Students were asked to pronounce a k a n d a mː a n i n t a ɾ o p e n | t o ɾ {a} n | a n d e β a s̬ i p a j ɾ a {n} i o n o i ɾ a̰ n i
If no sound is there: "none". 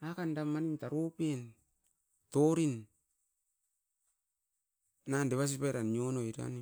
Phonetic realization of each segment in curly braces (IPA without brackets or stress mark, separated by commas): i, n